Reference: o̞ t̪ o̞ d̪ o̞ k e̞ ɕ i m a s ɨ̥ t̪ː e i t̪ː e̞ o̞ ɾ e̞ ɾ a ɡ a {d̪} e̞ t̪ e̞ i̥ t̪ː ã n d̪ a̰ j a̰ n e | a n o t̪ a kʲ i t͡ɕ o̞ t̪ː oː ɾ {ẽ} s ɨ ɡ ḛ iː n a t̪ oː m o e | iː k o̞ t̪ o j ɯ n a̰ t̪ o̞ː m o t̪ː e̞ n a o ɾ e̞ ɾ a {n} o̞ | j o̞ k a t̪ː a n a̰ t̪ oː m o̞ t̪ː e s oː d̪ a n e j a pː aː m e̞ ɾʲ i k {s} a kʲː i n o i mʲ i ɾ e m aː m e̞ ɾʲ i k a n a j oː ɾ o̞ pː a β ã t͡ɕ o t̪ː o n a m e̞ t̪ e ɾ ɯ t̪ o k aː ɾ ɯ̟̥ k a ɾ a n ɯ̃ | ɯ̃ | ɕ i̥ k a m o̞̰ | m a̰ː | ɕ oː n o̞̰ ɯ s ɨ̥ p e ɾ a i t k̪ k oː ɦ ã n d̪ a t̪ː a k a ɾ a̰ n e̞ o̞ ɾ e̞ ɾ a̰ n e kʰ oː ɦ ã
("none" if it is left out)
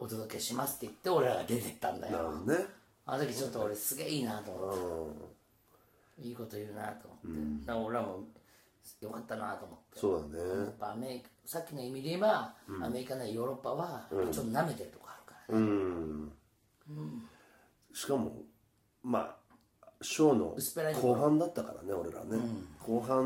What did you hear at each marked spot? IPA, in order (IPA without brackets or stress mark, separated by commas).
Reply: d̪, e, m, s